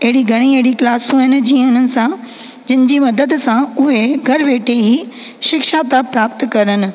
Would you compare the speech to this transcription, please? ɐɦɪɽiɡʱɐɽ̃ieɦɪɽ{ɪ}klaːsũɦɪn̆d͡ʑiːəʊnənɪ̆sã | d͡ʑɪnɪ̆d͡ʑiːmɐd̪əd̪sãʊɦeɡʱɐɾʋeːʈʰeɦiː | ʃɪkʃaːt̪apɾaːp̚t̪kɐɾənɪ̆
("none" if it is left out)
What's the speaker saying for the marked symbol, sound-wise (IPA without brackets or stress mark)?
i